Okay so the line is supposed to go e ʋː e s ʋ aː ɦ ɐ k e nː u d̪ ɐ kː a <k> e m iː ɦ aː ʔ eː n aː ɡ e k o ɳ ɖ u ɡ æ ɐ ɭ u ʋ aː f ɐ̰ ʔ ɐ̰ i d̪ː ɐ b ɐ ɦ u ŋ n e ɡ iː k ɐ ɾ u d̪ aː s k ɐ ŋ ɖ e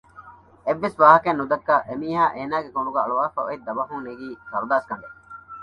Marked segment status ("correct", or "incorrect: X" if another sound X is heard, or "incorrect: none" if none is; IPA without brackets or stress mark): incorrect: ʔ